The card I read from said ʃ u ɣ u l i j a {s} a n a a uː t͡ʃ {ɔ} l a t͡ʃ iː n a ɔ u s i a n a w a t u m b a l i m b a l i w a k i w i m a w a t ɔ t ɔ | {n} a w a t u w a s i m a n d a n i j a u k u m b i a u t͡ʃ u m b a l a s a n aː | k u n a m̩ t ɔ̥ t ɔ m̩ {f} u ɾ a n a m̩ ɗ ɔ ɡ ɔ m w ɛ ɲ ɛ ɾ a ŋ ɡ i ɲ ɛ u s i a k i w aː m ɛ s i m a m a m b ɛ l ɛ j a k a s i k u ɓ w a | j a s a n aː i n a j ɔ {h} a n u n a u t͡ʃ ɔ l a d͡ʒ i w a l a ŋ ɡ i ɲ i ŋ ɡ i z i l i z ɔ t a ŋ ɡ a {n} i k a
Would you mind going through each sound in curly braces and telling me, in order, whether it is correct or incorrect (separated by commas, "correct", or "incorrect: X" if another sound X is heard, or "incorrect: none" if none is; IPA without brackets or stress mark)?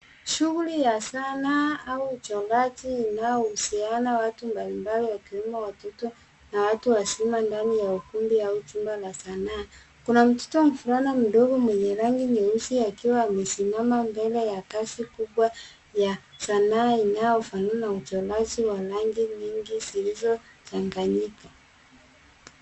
correct, correct, correct, correct, incorrect: f, incorrect: ɲ